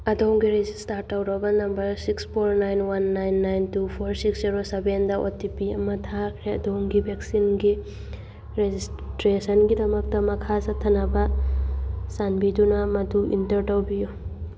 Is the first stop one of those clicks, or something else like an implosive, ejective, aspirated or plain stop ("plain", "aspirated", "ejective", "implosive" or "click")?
plain